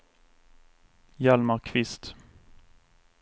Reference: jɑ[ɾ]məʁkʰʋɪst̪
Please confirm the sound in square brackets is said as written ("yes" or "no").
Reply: no